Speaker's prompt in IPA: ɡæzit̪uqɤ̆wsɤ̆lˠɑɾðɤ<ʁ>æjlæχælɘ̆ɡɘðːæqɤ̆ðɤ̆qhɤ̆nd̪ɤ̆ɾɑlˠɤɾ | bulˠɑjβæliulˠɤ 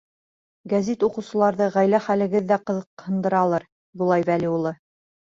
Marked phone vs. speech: correct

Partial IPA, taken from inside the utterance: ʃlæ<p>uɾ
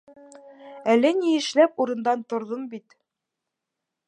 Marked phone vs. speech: correct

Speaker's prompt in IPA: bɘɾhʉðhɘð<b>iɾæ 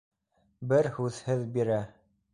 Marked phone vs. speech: correct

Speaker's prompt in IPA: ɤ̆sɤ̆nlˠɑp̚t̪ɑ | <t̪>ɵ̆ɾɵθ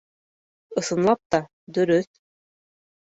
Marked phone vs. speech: incorrect: d̪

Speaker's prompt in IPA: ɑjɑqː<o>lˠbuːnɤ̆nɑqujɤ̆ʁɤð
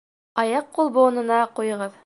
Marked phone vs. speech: incorrect: u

